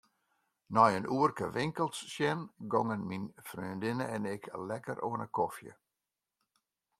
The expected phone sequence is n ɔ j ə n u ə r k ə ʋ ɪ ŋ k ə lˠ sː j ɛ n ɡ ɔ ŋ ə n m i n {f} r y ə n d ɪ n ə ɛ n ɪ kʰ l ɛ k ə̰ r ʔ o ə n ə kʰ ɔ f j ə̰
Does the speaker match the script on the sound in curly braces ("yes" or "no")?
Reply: yes